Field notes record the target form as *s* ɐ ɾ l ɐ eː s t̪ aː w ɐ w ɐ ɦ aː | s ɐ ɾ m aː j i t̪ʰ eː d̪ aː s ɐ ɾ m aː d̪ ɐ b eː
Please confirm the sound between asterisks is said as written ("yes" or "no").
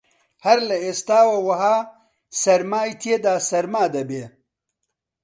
no